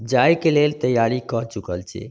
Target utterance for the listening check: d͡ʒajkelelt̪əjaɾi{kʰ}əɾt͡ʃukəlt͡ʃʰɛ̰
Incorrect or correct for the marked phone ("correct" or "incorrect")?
incorrect